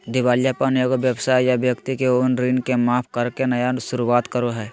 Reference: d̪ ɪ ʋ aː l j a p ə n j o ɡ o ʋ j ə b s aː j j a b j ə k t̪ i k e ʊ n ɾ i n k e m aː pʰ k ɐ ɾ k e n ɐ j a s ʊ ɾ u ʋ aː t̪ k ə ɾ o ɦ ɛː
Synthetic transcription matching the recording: d̪ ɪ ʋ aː l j a p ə n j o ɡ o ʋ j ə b s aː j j a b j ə k t̪ i k e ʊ n ɾ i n k e m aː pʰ k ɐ ɾ k e n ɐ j a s ʊ ɾ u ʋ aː t̪ k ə ɾ o ɦ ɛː